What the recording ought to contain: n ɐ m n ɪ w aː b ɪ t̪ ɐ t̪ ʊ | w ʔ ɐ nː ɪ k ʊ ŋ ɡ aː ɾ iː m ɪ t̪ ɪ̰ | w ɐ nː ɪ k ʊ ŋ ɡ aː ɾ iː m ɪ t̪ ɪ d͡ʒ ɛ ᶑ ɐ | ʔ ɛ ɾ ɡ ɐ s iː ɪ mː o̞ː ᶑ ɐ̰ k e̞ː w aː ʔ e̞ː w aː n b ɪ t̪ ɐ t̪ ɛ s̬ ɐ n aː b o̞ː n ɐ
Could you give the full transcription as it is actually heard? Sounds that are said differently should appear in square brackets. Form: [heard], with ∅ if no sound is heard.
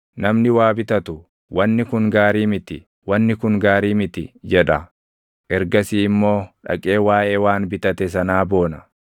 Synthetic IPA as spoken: n ɐ m n ɪ w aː b ɪ t̪ ɐ t̪ ʊ | w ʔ ɐ nː ɪ k ʊ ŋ ɡ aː ɾ iː m ɪ t̪ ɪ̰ | w ɐ nː ɪ k ʊ ŋ ɡ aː ɾ iː m ɪ t̪ ɪ d͡ʒ ɛ ᶑ ɐ | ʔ ɛ ɾ ɡ ɐ s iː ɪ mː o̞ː ᶑ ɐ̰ [kʼ] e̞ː w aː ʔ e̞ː w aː n b ɪ t̪ ɐ t̪ ɛ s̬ ɐ n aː b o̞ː n ɐ